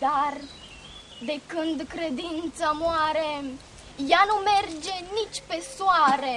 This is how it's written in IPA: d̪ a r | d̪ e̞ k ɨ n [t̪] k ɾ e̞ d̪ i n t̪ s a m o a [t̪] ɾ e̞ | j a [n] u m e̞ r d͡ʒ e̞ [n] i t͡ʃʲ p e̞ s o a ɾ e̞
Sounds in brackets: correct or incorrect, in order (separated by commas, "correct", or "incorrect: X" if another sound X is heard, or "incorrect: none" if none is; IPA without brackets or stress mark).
incorrect: d̪, incorrect: none, correct, correct